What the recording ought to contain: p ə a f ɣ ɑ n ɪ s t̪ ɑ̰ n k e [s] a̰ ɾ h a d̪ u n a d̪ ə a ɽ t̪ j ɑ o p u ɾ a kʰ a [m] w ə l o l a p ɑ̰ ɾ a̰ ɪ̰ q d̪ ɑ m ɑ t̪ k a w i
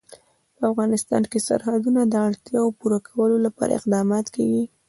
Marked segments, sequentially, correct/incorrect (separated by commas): correct, incorrect